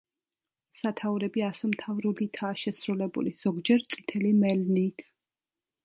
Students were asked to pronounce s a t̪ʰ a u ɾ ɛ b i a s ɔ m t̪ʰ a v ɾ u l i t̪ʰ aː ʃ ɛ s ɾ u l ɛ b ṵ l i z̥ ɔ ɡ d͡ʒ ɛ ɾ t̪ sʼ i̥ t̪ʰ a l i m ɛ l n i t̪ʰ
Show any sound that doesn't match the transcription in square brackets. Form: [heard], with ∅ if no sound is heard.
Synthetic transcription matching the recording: s a t̪ʰ a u ɾ ɛ b i a s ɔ m t̪ʰ a v ɾ u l i t̪ʰ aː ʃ ɛ s ɾ u l ɛ b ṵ l i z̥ ɔ ɡ d͡ʒ ɛ ɾ t̪ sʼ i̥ t̪ʰ [ɛ] l i m ɛ l n i t̪ʰ

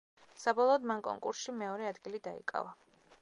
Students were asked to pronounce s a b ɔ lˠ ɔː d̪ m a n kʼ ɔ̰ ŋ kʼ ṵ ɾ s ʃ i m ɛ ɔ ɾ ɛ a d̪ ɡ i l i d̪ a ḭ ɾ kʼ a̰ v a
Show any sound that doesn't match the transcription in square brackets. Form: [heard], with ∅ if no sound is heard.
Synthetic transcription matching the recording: s a b ɔ lˠ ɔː d̪ m a n kʼ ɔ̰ ŋ kʼ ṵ ɾ s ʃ i m ɛ ɔ ɾ ɛ a d̪ ɡ i l i d̪ a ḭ [∅] kʼ a̰ v a

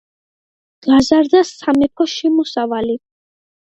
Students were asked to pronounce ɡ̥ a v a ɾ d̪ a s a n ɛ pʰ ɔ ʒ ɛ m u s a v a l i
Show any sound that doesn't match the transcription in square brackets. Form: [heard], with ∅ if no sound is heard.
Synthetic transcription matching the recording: ɡ̥ a [z] a ɾ d̪ a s a [m] ɛ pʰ ɔ [ʃ] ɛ m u s a v a l i

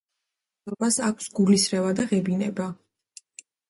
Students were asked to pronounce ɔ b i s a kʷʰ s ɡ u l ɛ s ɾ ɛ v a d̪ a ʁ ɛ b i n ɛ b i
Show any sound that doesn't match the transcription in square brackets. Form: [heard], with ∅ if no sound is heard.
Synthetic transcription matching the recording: ɔ b [a] s a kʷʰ s ɡ u l [i] s ɾ ɛ v a d̪ a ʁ ɛ b i n ɛ b [a]

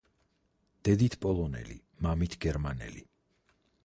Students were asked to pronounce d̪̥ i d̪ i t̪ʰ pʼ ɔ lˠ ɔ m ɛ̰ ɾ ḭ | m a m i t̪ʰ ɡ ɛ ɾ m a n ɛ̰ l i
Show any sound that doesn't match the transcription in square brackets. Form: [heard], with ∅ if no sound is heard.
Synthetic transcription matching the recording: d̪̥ [ɛ] d̪ i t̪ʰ pʼ ɔ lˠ ɔ [n] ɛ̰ [l] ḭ | m a m i t̪ʰ ɡ ɛ ɾ m a n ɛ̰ l i

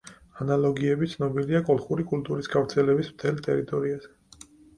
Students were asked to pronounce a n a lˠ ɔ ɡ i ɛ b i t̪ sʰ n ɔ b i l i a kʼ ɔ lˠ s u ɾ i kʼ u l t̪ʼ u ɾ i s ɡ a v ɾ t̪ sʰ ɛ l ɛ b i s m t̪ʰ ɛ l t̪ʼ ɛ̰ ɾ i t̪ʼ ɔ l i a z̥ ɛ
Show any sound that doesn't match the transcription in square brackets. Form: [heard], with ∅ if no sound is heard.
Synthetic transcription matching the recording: a n a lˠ ɔ ɡ i ɛ b i t̪ sʰ n ɔ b i l i a kʼ ɔ lˠ [χ] u ɾ i kʼ u l t̪ʼ u ɾ i s ɡ a v ɾ t̪ sʰ ɛ l ɛ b i s m t̪ʰ ɛ l t̪ʼ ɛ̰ ɾ i t̪ʼ ɔ [ɾ] i a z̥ ɛ

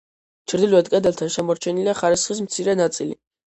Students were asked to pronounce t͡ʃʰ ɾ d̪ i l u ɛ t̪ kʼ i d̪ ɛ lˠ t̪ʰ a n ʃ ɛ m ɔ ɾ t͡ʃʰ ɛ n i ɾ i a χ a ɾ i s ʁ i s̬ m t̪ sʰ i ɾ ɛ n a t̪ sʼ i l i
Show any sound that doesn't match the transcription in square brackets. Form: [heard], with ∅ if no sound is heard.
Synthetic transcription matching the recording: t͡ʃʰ ɾ d̪ i l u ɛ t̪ kʼ [ɛ] d̪ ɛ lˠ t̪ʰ a n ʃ ɛ m ɔ ɾ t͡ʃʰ ɛ n i [l] i a χ a ɾ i s [χ] i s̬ m t̪ sʰ i ɾ ɛ n a t̪ sʼ i l i

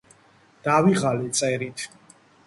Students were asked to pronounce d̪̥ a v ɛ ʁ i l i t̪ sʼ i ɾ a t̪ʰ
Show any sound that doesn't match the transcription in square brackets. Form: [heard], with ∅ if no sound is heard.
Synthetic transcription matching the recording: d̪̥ a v [i] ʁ [a] l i t̪ sʼ [ɛ] ɾ [i] t̪ʰ

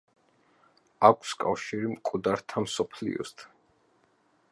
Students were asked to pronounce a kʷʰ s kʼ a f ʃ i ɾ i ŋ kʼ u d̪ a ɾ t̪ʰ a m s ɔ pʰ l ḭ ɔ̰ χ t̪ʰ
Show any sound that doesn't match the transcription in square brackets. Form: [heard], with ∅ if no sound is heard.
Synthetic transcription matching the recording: a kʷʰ s kʼ a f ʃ i ɾ i [m] kʼ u d̪ a ɾ t̪ʰ a m s ɔ pʰ l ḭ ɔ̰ [s] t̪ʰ

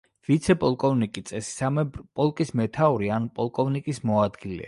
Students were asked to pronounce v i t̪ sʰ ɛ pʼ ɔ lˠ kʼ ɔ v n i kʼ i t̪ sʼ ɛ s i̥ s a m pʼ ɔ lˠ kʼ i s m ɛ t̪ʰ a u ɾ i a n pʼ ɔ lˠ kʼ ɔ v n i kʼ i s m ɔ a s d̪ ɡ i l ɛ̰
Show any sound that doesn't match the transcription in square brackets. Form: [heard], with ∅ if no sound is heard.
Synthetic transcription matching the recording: v i t̪ sʰ ɛ pʼ ɔ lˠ kʼ ɔ v n i kʼ i t̪ sʼ ɛ s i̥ s a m pʼ ɔ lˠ kʼ i s m ɛ t̪ʰ a u ɾ i a n pʼ ɔ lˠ kʼ ɔ v n i kʼ i s m ɔ a [∅] d̪ ɡ i l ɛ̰

